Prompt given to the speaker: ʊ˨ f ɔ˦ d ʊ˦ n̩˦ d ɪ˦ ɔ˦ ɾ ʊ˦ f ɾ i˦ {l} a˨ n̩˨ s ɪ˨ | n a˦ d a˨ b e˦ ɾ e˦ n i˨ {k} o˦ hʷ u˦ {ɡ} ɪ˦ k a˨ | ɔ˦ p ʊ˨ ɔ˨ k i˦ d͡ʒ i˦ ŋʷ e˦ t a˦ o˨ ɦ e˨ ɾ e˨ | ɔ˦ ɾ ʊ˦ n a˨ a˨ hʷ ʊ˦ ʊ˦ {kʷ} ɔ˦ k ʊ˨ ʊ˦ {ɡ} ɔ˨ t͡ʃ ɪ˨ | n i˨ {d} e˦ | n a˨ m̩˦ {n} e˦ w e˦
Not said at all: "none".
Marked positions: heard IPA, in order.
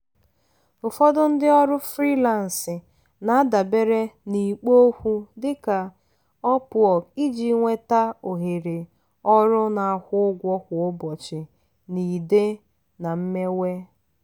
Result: l, k͡p, d, ɡʷ, b, d, m

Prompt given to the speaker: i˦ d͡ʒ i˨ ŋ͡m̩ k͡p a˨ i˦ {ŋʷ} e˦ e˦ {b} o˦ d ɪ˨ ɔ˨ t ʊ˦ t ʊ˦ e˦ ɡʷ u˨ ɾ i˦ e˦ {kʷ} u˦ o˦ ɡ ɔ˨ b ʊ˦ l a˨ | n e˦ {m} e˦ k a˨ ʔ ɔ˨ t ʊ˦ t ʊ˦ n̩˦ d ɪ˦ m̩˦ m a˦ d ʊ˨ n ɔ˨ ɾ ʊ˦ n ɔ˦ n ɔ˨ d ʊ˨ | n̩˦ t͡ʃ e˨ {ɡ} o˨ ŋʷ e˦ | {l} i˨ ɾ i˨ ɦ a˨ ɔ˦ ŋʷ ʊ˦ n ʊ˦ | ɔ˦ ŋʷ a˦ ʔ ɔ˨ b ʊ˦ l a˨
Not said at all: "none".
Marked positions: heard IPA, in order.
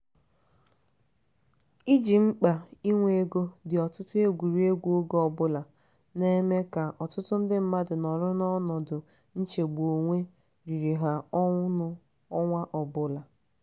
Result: ŋʷ, ɡ, ɡʷ, m, ɡ͡b, ɾ

